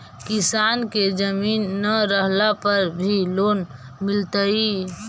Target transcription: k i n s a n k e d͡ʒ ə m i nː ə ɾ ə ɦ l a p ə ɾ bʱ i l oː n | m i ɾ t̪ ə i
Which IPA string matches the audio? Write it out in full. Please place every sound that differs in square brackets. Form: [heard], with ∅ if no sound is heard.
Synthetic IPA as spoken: k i [∅] s a n k e d͡ʒ ə m i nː ə ɾ ə ɦ l a p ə ɾ bʱ i l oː n | m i [l] t̪ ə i